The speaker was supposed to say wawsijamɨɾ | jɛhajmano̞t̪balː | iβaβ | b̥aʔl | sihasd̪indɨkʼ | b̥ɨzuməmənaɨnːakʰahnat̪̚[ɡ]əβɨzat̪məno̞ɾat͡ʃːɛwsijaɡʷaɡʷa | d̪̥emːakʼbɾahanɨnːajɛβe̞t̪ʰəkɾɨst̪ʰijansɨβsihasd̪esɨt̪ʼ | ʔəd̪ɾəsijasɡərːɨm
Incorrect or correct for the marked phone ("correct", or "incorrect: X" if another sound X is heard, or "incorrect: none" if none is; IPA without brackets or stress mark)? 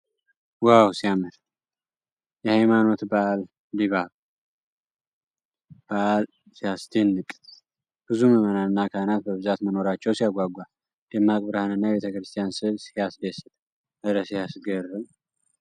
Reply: incorrect: b